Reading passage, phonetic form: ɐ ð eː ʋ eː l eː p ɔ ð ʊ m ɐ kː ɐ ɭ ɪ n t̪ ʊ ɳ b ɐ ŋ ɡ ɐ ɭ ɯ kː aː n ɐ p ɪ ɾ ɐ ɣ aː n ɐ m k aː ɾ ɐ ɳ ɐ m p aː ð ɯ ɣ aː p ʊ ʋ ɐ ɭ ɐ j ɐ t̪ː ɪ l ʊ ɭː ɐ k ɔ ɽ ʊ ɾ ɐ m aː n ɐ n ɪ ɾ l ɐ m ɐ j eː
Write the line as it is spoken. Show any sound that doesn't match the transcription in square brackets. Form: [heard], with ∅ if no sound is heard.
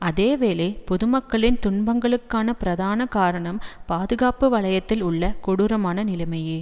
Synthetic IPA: ɐ ð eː ʋ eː l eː p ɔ ð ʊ m ɐ kː ɐ ɭ ɪ n t̪ ʊ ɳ b ɐ ŋ ɡ ɐ ɭ ɯ kː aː n ɐ p ɪ ɾ ɐ [ð] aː n ɐ [∅] k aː ɾ ɐ ɳ ɐ m p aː ð ɯ ɣ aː p [ɯ] ʋ ɐ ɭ ɐ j ɐ t̪ː ɪ l ʊ ɭː ɐ k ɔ ɽ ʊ ɾ ɐ m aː n ɐ n ɪ [∅] l ɐ m ɐ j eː